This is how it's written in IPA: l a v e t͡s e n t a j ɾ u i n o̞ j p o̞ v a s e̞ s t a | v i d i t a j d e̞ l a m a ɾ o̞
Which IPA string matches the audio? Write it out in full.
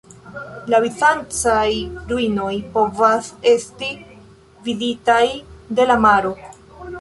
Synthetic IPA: l a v i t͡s a n t͡s a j ɾ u i n o̞ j p o̞ v a s e̞ s t i | v i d i t a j d e̞ l a m a ɾ o̞